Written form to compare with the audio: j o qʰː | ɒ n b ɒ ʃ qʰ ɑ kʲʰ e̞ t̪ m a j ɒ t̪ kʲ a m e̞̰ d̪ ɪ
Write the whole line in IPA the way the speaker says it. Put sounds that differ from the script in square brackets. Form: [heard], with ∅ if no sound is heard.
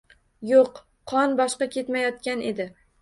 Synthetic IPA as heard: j o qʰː | ɒ n b ɒ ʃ [q] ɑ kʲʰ e̞ t̪ m a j ɒ t̪ kʲ a [n] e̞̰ d̪ ɪ